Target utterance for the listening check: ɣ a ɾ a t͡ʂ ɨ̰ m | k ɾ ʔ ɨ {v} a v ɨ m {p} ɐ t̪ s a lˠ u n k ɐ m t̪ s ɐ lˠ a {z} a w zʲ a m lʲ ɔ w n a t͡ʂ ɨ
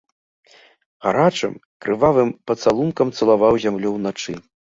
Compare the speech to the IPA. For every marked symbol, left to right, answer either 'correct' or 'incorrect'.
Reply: correct, correct, incorrect: v

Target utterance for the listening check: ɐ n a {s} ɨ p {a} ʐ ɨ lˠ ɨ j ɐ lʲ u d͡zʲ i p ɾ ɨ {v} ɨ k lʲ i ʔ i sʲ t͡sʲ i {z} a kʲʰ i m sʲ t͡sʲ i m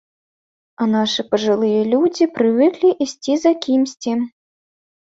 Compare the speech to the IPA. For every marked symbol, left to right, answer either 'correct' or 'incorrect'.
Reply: incorrect: ʂ, incorrect: ɐ, correct, correct

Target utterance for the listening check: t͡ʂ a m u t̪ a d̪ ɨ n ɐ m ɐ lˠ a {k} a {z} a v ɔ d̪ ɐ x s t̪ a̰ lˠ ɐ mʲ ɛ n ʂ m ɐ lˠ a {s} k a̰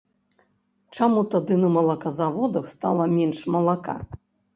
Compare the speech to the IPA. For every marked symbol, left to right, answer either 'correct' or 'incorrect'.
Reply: correct, correct, incorrect: none

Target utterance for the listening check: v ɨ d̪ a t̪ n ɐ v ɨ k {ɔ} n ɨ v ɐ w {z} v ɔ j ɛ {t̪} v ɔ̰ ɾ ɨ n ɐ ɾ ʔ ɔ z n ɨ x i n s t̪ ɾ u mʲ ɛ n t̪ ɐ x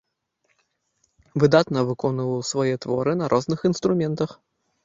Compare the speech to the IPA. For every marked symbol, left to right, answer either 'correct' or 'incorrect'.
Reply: correct, incorrect: s, correct

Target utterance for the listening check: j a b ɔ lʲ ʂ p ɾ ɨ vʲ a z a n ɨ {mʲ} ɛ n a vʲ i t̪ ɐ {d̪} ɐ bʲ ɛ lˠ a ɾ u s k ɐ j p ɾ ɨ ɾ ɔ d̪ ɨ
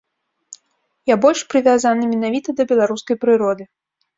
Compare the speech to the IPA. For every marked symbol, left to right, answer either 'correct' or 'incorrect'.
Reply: correct, correct

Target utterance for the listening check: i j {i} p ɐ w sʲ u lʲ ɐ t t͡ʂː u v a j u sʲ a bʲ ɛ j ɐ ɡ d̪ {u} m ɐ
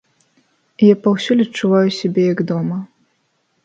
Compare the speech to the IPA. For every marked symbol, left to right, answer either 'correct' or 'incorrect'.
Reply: incorrect: a, incorrect: ɔ

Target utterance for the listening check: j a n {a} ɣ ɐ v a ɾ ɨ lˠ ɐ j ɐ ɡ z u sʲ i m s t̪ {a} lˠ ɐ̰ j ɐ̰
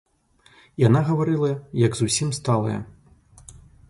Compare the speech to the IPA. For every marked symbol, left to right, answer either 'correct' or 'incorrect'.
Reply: correct, correct

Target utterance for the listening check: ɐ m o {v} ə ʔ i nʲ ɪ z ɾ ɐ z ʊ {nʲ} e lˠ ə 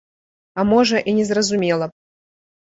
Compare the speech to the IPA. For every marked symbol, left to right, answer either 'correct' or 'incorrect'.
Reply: incorrect: ʐ, incorrect: mʲ

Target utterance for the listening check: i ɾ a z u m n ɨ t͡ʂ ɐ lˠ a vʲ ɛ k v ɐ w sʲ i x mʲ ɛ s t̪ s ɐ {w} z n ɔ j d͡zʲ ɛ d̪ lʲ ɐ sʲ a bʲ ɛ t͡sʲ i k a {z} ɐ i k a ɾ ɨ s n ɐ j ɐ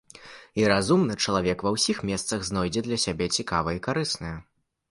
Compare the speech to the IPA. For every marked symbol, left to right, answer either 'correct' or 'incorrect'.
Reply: incorrect: ɣ, incorrect: v

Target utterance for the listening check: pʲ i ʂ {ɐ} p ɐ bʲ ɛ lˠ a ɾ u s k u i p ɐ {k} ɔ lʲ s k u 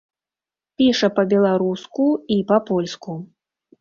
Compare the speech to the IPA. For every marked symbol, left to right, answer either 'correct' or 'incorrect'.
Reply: correct, incorrect: p

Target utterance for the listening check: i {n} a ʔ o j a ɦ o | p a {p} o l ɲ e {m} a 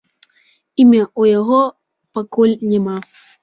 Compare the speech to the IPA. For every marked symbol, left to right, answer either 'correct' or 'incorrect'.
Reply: incorrect: m, incorrect: k, correct

